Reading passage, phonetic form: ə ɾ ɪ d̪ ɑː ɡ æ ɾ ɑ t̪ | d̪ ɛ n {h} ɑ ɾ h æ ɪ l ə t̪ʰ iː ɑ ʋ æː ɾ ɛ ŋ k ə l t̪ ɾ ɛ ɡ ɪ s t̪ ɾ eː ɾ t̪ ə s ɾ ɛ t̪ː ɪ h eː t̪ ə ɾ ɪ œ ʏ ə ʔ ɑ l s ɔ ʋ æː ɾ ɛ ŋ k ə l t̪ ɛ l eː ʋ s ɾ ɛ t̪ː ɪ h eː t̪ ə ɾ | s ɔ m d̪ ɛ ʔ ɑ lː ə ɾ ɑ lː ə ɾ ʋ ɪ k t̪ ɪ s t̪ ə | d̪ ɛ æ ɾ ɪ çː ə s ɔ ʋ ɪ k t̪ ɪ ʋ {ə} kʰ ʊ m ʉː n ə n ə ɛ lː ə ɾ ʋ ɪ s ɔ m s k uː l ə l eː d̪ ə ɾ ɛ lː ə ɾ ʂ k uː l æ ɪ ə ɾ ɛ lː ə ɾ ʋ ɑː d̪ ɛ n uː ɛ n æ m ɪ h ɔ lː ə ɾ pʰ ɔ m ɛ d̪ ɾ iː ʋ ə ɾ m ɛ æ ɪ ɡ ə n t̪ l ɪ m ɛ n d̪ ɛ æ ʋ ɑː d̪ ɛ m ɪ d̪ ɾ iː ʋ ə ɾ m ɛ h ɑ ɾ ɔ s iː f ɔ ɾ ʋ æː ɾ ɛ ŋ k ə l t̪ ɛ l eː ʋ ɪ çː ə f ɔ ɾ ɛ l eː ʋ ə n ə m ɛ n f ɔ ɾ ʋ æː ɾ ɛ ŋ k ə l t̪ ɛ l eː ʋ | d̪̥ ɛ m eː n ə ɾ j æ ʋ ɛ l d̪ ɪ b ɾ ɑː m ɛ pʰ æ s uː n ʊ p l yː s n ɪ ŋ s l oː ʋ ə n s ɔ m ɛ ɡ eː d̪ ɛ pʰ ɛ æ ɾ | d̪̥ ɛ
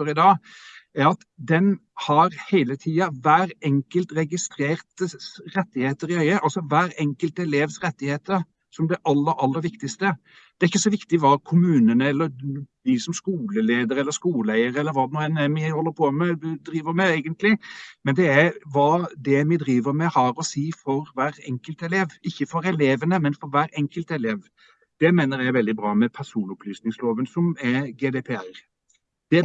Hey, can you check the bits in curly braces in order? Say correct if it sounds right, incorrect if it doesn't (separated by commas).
correct, incorrect